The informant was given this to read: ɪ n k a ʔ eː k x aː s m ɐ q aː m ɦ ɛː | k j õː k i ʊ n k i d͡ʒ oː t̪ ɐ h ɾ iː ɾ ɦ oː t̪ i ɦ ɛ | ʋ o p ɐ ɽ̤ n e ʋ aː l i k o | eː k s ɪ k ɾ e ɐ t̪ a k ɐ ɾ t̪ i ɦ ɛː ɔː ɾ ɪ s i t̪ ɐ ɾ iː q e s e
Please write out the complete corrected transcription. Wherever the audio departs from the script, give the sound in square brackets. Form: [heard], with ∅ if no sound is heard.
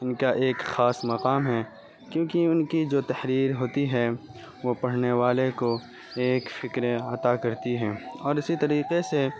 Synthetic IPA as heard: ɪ n k a ʔ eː k x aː s m ɐ q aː m ɦ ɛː | k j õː k i ʊ n k i d͡ʒ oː t̪ ɐ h ɾ iː ɾ ɦ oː t̪ i ɦ ɛ | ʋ o p ɐ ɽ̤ n e ʋ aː l [e] k o | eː k [f] ɪ k ɾ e ɐ t̪ a k ɐ ɾ t̪ i ɦ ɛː ɔː ɾ ɪ s i t̪ ɐ ɾ iː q e s e

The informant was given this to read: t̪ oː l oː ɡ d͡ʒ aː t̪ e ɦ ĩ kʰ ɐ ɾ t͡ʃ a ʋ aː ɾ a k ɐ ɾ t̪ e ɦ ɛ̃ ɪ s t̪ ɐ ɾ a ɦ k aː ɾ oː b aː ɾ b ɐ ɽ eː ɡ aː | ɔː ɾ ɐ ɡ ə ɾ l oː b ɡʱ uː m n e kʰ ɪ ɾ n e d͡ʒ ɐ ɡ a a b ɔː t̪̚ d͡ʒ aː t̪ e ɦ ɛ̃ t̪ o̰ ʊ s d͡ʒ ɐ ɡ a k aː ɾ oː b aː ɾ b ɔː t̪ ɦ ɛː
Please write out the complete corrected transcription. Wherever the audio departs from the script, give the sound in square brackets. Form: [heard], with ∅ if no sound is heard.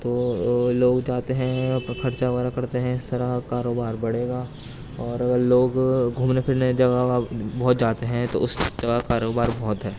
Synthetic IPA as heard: t̪ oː l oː ɡ d͡ʒ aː t̪ e ɦ [ɛ̃] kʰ ɐ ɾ t͡ʃ a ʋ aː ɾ a k ɐ ɾ t̪ e ɦ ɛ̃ ɪ s t̪ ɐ ɾ a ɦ k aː ɾ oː b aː ɾ b ɐ ɽ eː ɡ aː | ɔː ɾ ɐ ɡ ə ɾ l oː [ɡ] ɡʱ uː m n e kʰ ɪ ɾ n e d͡ʒ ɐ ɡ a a b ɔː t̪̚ d͡ʒ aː t̪ e ɦ ɛ̃ t̪ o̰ ʊ s d͡ʒ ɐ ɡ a k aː ɾ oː b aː ɾ b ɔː t̪ ɦ ɛː

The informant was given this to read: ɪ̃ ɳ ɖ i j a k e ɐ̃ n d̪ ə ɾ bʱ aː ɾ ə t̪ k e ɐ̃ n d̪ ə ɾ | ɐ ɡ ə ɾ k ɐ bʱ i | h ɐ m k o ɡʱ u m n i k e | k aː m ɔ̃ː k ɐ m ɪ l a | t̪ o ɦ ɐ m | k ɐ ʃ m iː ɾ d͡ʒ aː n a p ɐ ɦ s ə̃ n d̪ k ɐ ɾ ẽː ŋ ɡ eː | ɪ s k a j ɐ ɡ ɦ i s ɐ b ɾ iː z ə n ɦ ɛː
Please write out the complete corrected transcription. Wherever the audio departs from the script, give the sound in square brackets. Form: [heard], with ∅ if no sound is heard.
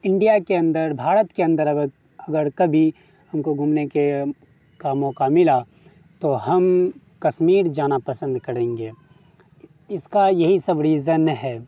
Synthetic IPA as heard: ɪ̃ ɳ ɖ i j a k e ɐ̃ n d̪ ə ɾ bʱ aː ɾ ə t̪ k e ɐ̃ n d̪ ə ɾ | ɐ ɡ ə ɾ k ɐ bʱ i | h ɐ m k o ɡʱ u m n [e] k e | k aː m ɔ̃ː k [a] m ɪ l a | t̪ o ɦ ɐ m | k ɐ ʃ m iː ɾ d͡ʒ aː n a p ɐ [∅] s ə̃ n d̪ k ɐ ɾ ẽː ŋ ɡ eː | ɪ s k a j ɐ [∅] ɦ i s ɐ b ɾ iː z ə n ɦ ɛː

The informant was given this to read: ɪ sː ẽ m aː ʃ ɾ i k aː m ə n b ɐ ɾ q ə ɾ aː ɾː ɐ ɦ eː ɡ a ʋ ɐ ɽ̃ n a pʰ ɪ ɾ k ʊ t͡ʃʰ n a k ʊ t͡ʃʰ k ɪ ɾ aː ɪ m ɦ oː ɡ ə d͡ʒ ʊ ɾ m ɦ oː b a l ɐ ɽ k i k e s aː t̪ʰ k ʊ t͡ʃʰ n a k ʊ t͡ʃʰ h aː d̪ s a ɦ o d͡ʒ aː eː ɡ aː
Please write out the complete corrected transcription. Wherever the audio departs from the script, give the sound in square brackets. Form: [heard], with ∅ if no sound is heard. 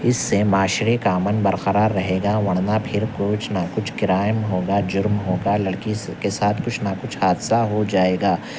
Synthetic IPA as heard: ɪ sː [e] m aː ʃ ɾ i k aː m ə n b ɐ ɾ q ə ɾ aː ɾː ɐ ɦ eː ɡ a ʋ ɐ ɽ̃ n a pʰ ɪ ɾ k ʊ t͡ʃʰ n a k ʊ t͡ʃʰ k ɪ ɾ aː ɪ m ɦ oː ɡ [a] d͡ʒ ʊ ɾ m ɦ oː [ɡ] a l ɐ ɽ k i k e s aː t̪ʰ k ʊ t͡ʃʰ n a k ʊ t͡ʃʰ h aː d̪ s a ɦ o d͡ʒ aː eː ɡ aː

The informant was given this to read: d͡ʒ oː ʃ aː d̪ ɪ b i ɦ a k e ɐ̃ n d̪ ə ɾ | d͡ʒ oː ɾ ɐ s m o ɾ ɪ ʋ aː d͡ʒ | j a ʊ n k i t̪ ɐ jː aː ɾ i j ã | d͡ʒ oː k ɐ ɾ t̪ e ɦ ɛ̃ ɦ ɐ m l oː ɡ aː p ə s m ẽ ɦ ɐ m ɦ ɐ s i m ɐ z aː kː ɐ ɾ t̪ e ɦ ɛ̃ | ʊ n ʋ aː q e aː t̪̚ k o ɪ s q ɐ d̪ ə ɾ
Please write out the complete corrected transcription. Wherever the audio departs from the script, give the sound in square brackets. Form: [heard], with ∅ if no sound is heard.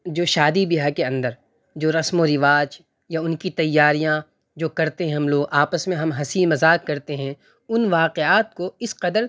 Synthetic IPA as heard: d͡ʒ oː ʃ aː d̪ [i] b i ɦ a k e ɐ̃ n d̪ ə ɾ | d͡ʒ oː ɾ ɐ s m o ɾ ɪ ʋ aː d͡ʒ | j a ʊ n k i t̪ ɐ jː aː ɾ i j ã | d͡ʒ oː k ɐ ɾ t̪ e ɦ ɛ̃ ɦ ɐ m l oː ɡ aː p ə s m ẽ ɦ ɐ m ɦ ɐ s i m ɐ z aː kː ɐ ɾ t̪ e ɦ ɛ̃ | ʊ n ʋ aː q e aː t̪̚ k o ɪ s q ɐ d̪ ə ɾ

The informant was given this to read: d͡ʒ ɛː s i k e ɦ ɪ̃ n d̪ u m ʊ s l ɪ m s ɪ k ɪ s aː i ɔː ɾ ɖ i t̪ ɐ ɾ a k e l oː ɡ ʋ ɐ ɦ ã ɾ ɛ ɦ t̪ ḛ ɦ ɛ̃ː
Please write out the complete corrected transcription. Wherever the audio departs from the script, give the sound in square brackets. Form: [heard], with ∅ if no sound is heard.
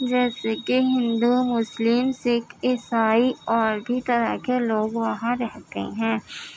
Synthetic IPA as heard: d͡ʒ ɛː s [e] k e ɦ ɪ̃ n d̪ u m ʊ s l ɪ m s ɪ k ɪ s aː i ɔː ɾ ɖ i t̪ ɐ ɾ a k e l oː ɡ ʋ ɐ ɦ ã ɾ ɛ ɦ t̪ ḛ ɦ ɛ̃ː

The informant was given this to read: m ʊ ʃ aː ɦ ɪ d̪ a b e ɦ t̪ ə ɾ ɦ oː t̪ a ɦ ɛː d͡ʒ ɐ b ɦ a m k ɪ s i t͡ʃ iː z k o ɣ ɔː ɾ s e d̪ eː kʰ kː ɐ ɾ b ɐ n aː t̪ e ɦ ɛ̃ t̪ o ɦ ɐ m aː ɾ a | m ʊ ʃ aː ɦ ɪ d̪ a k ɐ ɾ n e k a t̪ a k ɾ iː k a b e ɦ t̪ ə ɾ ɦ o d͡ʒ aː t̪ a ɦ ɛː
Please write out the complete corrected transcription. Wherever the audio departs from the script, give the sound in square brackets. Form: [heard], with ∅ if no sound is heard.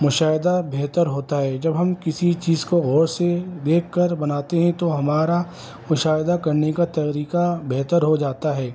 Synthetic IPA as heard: m ʊ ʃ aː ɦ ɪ d̪ a b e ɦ t̪ ə ɾ ɦ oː t̪ a ɦ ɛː d͡ʒ ɐ b ɦ [ɐ] m k ɪ s i t͡ʃ iː z k o ɣ ɔː ɾ s e d̪ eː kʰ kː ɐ ɾ b ɐ n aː t̪ e ɦ ɛ̃ t̪ o ɦ ɐ m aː ɾ a | m ʊ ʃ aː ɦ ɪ d̪ a k ɐ ɾ n e k a t̪ [ɐ] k ɾ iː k a b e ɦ t̪ ə ɾ ɦ o d͡ʒ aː t̪ a ɦ ɛː

